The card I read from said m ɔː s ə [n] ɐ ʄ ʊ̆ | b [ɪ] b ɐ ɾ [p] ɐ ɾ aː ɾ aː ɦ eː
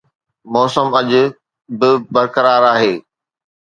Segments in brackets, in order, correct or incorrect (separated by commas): incorrect, correct, incorrect